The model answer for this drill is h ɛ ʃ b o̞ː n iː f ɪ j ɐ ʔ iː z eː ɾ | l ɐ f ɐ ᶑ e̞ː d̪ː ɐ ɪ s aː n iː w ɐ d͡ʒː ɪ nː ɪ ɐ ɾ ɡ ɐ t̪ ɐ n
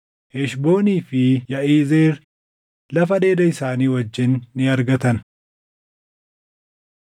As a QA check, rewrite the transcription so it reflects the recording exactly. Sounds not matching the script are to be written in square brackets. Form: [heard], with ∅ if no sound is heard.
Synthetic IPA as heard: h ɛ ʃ b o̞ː n iː f ɪ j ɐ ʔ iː z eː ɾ | l ɐ f ɐ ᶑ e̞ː [d̪] ɐ ɪ s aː n iː w ɐ d͡ʒː ɪ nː ɪ ɐ ɾ ɡ ɐ t̪ ɐ n